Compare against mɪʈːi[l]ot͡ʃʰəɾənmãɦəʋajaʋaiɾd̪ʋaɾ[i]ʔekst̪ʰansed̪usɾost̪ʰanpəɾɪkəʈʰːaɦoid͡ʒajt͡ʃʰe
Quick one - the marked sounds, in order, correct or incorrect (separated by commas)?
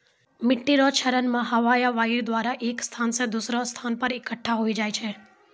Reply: incorrect, incorrect